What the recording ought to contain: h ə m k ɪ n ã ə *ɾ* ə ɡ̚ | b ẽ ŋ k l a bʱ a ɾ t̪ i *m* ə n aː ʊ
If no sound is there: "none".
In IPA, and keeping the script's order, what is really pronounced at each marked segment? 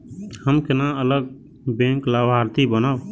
l, b

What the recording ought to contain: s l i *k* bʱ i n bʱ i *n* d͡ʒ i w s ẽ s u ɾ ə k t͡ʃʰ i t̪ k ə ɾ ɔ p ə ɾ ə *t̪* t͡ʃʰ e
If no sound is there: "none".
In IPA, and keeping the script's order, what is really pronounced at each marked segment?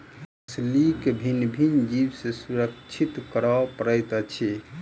k, n, t̪

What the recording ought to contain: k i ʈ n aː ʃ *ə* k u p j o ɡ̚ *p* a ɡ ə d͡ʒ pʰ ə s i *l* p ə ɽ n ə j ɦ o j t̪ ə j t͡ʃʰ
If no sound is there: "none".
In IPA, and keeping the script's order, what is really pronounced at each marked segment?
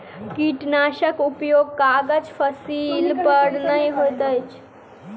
ə, k, l

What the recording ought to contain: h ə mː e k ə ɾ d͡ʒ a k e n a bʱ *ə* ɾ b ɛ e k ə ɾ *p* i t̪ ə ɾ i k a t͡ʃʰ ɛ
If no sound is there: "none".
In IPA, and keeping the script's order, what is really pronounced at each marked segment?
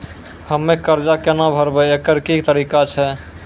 ə, k

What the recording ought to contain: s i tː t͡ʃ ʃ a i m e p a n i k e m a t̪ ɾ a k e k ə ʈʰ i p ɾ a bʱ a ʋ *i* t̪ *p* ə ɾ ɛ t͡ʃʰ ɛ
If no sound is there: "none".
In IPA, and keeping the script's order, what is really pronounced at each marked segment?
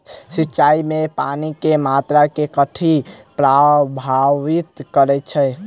i, k

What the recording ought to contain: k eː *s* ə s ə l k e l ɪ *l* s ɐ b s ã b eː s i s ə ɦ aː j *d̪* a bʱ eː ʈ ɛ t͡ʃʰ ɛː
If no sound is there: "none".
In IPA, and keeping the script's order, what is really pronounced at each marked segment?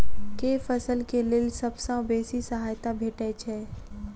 f, l, t̪

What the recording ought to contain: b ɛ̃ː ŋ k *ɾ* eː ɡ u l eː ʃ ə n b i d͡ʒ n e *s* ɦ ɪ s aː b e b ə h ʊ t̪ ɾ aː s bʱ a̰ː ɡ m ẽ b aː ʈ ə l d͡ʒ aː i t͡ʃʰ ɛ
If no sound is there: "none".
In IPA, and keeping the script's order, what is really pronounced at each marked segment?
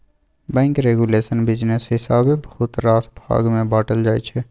ɾ, s

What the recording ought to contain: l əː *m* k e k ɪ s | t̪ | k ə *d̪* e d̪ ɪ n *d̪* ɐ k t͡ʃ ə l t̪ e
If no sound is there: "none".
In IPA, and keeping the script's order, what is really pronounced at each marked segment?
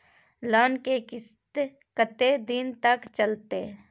n, t̪, t̪

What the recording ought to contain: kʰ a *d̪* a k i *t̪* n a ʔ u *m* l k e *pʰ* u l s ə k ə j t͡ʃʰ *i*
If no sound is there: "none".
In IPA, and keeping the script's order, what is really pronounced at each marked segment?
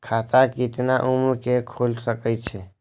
t̪, t̪, m, kʰ, e

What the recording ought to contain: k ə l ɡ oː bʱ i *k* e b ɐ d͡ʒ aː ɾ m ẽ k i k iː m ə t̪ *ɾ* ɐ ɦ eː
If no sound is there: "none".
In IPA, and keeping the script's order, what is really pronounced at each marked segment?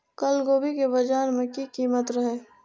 k, ɾ

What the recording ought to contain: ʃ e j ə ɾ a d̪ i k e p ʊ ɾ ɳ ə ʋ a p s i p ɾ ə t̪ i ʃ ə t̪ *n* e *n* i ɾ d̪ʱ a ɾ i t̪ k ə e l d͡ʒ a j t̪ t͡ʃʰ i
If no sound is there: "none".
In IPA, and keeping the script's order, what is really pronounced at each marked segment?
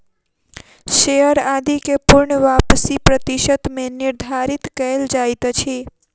m, n

